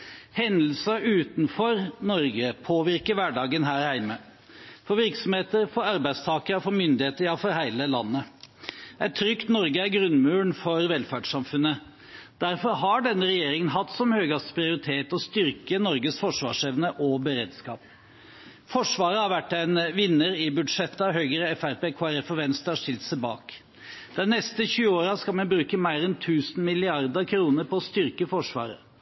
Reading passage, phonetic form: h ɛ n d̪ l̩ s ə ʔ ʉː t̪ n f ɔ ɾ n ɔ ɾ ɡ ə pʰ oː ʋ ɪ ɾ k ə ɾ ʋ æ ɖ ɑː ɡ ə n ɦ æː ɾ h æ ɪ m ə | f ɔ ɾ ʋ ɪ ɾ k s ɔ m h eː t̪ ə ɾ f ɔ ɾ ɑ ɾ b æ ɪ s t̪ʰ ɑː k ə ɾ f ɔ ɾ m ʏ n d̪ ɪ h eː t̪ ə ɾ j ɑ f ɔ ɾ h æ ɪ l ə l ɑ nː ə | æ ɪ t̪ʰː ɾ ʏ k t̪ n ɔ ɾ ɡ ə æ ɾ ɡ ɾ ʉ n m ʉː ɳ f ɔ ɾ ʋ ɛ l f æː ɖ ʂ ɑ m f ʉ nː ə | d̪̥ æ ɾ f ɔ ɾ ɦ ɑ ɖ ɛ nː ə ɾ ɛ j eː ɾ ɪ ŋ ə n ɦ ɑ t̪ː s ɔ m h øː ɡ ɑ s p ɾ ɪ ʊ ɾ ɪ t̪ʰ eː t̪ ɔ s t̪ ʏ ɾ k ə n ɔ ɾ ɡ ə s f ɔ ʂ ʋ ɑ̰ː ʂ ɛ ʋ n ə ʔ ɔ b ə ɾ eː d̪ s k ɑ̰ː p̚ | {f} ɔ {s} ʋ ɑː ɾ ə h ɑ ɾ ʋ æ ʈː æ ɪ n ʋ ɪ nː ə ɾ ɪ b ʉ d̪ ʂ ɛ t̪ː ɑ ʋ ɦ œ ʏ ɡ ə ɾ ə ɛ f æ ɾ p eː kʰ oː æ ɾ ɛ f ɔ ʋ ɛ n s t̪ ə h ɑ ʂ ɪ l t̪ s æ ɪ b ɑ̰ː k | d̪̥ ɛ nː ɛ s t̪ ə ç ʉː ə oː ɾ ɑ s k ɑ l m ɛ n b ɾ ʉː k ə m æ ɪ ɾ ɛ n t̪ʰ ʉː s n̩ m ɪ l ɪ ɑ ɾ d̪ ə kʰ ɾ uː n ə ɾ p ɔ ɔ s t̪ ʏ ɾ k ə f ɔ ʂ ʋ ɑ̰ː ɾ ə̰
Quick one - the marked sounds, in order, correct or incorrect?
correct, incorrect

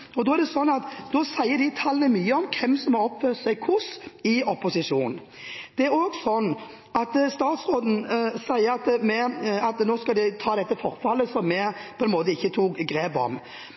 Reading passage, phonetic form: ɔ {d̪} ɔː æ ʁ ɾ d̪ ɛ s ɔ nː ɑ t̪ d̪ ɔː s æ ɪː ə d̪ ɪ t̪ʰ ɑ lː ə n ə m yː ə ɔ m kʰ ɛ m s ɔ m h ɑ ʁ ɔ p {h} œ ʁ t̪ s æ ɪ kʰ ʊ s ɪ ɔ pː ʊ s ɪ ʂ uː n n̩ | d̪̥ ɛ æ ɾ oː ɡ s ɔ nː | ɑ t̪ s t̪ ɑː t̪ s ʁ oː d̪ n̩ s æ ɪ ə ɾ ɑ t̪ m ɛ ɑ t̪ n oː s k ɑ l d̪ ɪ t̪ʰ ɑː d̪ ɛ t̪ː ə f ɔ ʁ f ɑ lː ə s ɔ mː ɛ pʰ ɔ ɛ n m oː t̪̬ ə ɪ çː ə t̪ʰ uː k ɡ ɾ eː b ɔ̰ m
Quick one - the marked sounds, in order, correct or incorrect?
correct, incorrect

